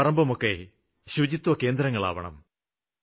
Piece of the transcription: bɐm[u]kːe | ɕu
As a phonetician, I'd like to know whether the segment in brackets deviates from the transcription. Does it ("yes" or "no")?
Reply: yes